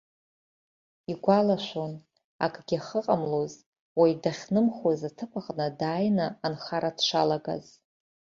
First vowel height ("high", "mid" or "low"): high